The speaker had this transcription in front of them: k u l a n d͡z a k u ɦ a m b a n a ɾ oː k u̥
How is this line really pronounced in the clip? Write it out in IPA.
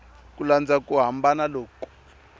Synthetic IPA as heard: k u l a n d͡z a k u ɦ a m b a n a l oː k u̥